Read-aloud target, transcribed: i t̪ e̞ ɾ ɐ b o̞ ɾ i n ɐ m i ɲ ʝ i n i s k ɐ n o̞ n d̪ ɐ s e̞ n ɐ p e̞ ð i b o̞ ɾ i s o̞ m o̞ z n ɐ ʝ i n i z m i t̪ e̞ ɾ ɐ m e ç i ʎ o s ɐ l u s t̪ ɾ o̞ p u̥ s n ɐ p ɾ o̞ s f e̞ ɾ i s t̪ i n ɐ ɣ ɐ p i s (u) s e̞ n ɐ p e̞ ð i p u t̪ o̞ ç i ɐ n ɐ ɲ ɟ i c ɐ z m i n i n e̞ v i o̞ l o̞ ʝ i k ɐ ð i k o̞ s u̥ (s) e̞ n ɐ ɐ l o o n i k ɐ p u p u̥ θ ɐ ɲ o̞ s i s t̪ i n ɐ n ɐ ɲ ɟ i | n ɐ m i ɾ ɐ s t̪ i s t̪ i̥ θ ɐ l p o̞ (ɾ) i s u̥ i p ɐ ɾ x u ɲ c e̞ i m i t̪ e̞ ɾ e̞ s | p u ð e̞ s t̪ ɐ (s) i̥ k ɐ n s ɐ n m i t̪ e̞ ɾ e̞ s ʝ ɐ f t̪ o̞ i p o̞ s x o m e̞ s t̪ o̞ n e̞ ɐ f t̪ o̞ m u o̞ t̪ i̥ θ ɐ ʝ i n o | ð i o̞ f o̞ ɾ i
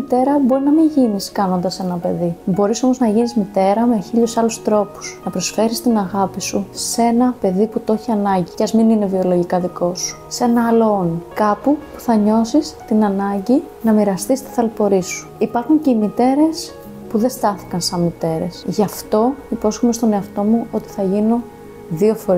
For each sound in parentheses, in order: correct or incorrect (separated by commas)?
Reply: correct, correct, correct, incorrect